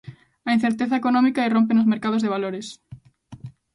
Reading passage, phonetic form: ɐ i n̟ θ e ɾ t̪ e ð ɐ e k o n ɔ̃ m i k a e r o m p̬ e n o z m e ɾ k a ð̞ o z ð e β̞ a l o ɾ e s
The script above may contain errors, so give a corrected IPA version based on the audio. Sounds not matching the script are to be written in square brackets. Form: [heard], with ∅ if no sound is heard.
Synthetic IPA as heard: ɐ i n̟ θ e ɾ t̪ e [θ] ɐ e k o n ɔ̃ m i k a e r o m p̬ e n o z m e ɾ k a ð̞ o z ð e β̞ a l o ɾ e s